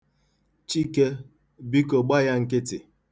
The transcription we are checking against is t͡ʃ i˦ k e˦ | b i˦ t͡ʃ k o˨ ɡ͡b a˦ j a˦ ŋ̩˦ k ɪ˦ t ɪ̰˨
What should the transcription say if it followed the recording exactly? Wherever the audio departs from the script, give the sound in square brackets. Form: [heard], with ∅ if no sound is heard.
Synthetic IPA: t͡ʃ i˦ k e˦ | b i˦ [∅] k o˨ ɡ͡b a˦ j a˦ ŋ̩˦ k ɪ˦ t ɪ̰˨